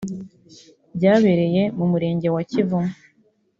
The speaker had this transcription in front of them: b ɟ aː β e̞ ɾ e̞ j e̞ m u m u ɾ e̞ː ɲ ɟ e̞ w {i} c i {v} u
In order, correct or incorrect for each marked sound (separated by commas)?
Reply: incorrect, correct